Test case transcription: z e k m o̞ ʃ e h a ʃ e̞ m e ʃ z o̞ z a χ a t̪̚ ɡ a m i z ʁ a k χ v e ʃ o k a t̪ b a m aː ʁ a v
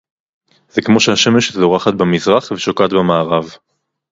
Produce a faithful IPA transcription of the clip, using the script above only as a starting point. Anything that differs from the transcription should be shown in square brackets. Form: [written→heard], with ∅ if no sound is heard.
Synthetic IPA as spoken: z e k m o̞ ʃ e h a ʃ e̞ m e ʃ z o̞ [z→ʁ] a χ a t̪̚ [ɡ→b] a m i z ʁ a [k→∅] χ v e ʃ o k a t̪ b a m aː ʁ a v

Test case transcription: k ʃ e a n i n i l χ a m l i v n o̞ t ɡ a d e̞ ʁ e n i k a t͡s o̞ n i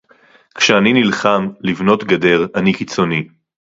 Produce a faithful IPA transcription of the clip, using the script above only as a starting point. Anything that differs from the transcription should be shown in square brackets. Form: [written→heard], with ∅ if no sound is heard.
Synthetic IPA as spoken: k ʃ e a n i n i l χ a m l i v n o̞ t ɡ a d e̞ ʁ [e→a] n i k [a→i] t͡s o̞ n i

